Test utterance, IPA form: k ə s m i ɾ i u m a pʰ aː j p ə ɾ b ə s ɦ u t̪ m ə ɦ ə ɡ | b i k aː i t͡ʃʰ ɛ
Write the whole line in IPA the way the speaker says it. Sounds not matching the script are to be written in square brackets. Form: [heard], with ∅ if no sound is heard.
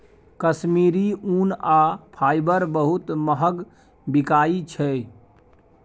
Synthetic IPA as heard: k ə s m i ɾ i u [n] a pʰ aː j [b] ə ɾ b ə [∅] ɦ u t̪ m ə ɦ ə ɡ | b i k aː i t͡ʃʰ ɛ

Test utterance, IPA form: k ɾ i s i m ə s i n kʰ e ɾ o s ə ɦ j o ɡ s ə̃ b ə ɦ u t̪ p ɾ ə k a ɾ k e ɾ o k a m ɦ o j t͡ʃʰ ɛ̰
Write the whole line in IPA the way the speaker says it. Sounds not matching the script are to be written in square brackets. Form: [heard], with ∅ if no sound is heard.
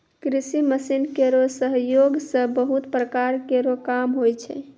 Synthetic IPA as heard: k ɾ i s i m ə s i n [k] e ɾ o s ə ɦ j o ɡ s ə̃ b ə ɦ u t̪ p ɾ ə k a ɾ k e ɾ o k a m ɦ o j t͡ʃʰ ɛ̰

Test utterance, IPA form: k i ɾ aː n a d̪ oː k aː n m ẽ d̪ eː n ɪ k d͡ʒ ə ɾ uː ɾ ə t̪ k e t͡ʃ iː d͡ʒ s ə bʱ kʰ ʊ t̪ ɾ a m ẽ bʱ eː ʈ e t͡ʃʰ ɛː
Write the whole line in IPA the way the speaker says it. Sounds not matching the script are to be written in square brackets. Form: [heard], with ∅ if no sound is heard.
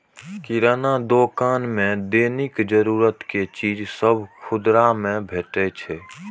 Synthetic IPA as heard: k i ɾ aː n a d̪ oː k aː n m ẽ d̪ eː n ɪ k d͡ʒ ə ɾ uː ɾ ə t̪ k e t͡ʃ iː d͡ʒ s ə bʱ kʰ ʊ [d̪] ɾ a m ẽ bʱ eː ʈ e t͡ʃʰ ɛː

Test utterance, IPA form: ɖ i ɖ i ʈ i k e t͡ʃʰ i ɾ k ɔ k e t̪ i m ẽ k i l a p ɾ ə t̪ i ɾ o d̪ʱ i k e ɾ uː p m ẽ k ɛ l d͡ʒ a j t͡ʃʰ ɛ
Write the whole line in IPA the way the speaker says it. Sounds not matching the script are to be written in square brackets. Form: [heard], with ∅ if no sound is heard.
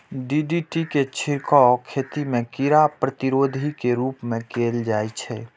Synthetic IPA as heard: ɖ i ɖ i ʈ i k e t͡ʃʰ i ɾ k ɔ [kʰ] e t̪ i m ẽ k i [ɾ] a p ɾ ə t̪ i ɾ o d̪ʱ i k e ɾ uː p m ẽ k [e] l d͡ʒ a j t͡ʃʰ ɛ

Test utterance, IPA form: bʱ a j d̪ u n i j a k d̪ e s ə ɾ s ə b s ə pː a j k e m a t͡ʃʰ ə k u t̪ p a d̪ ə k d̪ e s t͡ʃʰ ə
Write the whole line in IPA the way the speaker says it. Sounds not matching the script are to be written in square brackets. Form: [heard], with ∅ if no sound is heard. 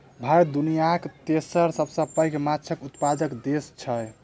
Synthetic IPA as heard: bʱ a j d̪ u n i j a k [t̪] e s ə ɾ s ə b s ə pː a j k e m a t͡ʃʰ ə k u t̪ p a d̪ ə k d̪ e s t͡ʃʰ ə

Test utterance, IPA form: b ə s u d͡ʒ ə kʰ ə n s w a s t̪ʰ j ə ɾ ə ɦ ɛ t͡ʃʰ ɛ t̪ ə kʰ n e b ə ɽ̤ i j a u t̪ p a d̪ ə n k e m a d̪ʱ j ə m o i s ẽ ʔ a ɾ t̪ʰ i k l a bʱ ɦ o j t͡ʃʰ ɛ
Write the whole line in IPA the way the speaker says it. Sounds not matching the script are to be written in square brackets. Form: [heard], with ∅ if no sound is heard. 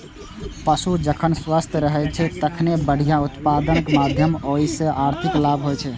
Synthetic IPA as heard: [p] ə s u d͡ʒ ə kʰ ə n s w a s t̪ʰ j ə ɾ ə ɦ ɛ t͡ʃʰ ɛ t̪ ə kʰ n e b ə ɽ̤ i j a u t̪ p a d̪ ə n k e m a d̪ʱ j ə m o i s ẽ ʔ a ɾ t̪ʰ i k l a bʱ ɦ o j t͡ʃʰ ɛ

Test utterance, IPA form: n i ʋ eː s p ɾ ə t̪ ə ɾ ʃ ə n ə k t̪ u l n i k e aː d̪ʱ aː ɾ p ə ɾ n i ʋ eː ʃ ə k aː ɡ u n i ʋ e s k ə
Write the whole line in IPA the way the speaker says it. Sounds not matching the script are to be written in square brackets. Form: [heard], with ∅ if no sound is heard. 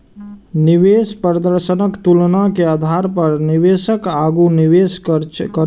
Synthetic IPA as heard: n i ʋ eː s p ɾ ə [d̪] ə ɾ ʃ ə n ə k t̪ u l n [a] k e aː d̪ʱ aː ɾ p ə ɾ n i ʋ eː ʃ ə k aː ɡ u n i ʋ e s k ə

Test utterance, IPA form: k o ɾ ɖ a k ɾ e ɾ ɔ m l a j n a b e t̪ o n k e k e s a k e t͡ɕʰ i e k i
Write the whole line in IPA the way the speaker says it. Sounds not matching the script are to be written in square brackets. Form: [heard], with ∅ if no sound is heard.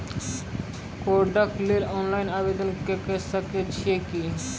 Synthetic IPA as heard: k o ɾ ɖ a k [l] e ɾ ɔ [n] l a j n a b e [d̪] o n k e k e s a k e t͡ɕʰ i e k i

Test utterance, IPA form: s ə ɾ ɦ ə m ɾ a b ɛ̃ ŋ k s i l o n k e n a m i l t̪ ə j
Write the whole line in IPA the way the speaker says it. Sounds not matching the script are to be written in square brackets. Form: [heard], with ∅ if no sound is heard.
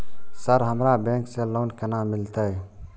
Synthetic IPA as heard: s ə ɾ ɦ ə m ɾ a b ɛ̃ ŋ k s [e] l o n k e n a m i l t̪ ə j

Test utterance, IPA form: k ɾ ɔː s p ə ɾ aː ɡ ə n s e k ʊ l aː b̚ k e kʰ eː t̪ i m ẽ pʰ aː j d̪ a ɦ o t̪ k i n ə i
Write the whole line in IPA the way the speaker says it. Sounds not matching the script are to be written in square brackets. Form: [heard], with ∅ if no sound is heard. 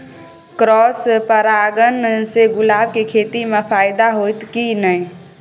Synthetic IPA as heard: k ɾ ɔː s p ə ɾ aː ɡ ə n s e [ɡ] ʊ l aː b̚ k e kʰ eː t̪ i m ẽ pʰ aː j d̪ a ɦ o t̪ k i n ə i

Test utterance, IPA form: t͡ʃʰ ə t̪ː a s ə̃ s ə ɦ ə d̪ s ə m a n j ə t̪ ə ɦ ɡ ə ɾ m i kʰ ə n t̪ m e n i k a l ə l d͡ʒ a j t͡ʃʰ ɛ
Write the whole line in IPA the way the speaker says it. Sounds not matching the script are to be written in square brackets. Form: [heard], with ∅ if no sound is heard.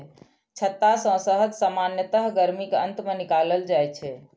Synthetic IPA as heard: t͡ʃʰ ə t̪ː a s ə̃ s ə ɦ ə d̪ s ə m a n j ə t̪ ə ɦ ɡ ə ɾ m i [k] ə n t̪ m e n i k a l ə l d͡ʒ a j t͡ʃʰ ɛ

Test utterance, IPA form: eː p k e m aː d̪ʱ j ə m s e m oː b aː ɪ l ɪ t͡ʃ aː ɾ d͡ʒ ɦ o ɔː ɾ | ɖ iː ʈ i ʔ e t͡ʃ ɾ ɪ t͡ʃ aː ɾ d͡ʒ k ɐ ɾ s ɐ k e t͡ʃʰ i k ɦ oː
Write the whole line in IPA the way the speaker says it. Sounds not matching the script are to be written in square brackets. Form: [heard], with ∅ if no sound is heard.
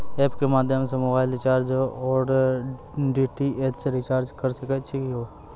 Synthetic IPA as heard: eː p k e m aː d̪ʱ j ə m s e m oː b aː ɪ l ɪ t͡ʃ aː ɾ d͡ʒ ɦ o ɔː ɾ | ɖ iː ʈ i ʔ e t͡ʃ ɾ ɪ t͡ʃ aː ɾ d͡ʒ k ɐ ɾ s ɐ k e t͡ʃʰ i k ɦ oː

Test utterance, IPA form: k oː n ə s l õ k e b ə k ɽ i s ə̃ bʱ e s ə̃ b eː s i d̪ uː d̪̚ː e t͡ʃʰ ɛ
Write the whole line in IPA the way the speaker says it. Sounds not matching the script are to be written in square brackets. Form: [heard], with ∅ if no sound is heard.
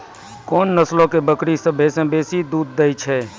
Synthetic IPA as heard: k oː [nː] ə s l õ k e b ə k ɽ i s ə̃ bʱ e s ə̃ b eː s i d̪ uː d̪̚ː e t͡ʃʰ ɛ

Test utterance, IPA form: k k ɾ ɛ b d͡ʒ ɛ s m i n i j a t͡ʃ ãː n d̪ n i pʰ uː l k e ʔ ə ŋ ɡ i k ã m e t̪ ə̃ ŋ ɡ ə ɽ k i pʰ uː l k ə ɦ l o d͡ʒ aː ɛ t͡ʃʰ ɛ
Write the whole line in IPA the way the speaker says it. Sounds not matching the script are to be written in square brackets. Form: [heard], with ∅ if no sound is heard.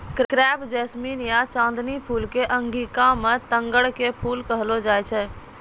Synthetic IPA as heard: k k ɾ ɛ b d͡ʒ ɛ s m i n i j a t͡ʃ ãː n d̪ n i pʰ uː l k e ʔ ə ŋ ɡ i k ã m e t̪ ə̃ ŋ ɡ ə ɽ k [e] pʰ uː l k ə ɦ l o d͡ʒ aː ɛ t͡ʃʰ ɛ

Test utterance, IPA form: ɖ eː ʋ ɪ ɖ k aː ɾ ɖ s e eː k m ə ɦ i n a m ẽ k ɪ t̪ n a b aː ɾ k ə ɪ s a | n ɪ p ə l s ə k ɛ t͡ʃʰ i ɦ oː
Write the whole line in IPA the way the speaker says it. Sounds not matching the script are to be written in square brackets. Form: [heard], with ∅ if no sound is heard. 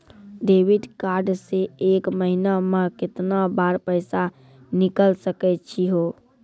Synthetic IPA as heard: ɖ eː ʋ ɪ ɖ k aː ɾ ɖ s e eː k m ə ɦ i n a m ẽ k ɪ t̪ n a b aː ɾ [p] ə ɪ s a | n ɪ [k] ə l s ə k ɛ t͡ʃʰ i ɦ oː

